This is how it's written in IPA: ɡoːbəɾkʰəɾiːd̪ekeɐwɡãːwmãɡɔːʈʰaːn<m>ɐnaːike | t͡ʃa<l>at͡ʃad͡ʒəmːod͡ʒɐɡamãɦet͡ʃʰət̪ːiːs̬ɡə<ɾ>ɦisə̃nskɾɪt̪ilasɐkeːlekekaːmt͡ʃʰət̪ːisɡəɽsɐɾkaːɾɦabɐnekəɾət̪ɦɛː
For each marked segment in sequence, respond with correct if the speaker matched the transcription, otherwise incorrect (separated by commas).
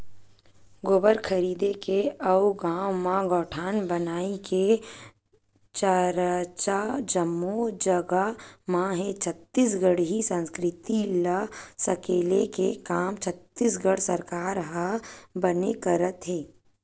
incorrect, incorrect, incorrect